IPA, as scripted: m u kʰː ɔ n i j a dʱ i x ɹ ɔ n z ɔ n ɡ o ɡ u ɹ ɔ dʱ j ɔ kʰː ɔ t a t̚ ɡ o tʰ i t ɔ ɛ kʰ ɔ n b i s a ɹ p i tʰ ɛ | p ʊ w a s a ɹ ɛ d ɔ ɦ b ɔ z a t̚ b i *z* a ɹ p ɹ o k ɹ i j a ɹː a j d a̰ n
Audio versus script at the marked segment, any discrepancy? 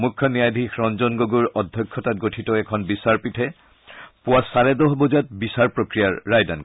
yes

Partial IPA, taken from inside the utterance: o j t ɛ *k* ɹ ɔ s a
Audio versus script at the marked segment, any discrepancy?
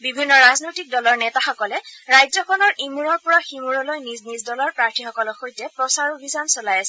yes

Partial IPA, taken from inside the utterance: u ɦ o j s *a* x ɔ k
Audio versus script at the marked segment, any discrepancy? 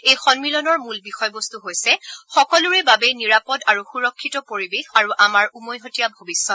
yes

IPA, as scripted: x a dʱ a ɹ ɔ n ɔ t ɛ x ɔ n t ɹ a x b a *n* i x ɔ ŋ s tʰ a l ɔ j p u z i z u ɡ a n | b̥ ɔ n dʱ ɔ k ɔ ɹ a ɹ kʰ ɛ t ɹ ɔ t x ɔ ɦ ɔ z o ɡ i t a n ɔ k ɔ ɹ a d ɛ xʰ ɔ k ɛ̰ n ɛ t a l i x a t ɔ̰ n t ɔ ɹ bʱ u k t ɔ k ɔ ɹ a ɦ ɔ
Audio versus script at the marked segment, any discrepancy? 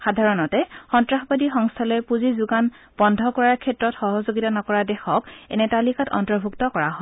yes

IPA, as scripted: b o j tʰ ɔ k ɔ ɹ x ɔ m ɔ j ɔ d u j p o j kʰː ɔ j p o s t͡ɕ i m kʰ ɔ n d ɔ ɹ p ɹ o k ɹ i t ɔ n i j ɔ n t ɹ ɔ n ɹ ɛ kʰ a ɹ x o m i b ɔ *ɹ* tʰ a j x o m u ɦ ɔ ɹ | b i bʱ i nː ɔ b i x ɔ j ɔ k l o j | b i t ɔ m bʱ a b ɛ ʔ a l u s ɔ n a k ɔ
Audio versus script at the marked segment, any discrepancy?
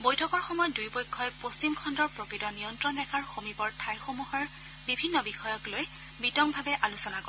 no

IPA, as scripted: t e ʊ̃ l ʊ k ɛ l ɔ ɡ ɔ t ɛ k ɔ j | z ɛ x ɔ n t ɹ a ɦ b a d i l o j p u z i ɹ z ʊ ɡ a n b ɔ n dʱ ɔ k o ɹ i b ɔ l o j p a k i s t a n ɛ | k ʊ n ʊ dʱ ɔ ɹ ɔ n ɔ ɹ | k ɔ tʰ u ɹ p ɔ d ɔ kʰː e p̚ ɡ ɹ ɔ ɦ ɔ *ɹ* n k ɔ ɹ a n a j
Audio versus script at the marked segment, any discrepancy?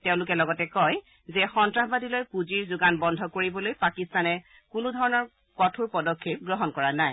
yes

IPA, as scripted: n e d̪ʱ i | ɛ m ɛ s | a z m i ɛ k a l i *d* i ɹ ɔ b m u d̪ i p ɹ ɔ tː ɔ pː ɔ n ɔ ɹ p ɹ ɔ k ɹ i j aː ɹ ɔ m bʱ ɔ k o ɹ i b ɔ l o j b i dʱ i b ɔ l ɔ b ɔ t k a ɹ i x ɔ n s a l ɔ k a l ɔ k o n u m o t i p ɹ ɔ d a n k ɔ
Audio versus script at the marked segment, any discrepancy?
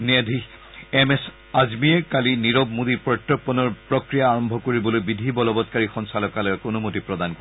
yes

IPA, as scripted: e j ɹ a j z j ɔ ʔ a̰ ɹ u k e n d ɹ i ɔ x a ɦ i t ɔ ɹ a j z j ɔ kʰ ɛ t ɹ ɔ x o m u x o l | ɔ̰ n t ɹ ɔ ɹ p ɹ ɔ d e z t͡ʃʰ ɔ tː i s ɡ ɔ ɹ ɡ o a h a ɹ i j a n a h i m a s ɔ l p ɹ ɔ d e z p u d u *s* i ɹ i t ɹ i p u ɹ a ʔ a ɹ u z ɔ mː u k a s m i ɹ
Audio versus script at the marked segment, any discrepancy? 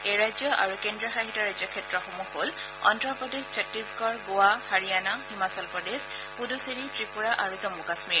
no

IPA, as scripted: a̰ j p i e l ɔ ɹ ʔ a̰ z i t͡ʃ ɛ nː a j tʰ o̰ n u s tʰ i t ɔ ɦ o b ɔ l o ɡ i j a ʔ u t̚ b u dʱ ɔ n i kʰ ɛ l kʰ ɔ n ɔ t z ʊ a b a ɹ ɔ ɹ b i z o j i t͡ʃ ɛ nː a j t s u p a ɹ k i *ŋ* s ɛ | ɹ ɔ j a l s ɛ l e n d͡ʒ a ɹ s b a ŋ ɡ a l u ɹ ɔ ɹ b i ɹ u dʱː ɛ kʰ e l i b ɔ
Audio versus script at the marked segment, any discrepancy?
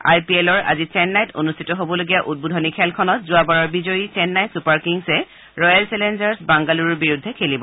no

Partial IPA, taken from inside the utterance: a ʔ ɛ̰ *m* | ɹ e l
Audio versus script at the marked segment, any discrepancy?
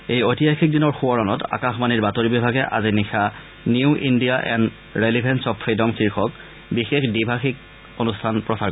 yes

